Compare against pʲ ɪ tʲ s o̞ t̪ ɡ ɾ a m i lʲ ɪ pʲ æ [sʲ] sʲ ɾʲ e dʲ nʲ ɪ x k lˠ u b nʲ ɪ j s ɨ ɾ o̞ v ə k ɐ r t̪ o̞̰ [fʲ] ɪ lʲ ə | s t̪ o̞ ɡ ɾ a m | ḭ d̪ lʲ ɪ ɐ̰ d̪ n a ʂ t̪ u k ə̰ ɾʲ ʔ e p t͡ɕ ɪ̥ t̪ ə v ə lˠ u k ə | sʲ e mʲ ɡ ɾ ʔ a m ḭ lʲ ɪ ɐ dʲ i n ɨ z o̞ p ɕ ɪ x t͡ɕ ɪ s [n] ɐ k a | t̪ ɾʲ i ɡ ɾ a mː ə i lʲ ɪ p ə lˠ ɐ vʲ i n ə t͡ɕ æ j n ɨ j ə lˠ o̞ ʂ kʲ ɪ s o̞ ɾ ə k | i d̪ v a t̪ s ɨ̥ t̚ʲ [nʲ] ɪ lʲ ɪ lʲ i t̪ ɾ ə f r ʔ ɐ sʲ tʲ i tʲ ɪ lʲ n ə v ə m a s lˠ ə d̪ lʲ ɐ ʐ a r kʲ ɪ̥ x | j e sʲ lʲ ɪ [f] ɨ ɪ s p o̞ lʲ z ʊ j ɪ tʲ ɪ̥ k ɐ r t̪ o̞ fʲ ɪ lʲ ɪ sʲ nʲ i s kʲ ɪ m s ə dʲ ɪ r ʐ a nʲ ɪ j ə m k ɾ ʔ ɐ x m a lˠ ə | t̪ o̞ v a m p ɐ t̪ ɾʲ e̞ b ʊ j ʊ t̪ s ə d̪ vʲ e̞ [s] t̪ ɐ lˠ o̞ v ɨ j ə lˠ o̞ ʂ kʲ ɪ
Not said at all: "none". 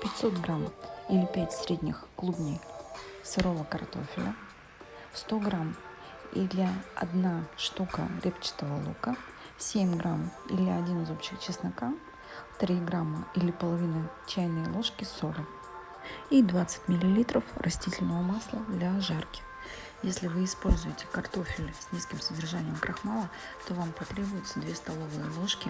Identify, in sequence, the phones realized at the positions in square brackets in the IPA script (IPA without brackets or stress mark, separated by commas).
tʲ, fʲ, n, mʲ, v, s